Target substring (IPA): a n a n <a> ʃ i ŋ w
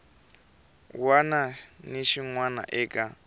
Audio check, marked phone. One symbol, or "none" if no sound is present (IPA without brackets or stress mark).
i